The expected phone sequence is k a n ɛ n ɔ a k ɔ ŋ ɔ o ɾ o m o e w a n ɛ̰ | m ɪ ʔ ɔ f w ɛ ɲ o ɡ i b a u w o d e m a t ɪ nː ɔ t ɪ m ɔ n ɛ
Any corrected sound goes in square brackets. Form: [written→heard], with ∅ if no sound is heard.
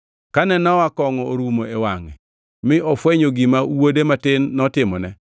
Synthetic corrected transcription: k a n ɛ n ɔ a k ɔ ŋ ɔ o ɾ [o→u] m o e w a [n→ŋ] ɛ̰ | m ɪ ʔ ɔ f w ɛ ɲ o ɡ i [b→m] a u w o d e m a t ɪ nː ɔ t ɪ m ɔ n ɛ